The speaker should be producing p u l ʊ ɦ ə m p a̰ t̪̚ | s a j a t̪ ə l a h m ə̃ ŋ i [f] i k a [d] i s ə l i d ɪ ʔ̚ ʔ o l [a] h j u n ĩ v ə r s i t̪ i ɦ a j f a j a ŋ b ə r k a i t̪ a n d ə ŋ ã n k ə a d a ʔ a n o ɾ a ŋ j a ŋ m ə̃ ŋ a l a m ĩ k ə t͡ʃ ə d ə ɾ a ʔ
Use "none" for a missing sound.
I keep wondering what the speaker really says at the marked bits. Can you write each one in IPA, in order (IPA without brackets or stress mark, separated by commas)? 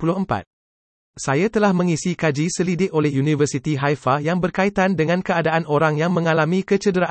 s, d͡ʒ, ɛ